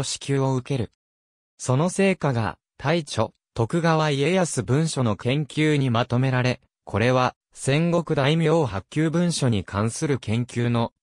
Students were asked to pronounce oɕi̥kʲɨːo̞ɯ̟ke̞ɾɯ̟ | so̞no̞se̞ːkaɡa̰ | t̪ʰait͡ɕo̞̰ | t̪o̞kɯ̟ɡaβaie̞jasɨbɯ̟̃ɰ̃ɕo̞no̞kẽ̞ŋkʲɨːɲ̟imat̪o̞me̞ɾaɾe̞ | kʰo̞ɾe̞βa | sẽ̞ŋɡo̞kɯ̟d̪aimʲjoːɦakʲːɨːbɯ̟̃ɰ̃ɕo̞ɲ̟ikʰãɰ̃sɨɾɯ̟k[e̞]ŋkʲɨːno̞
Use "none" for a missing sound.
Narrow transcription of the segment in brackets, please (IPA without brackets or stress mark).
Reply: ẽ̞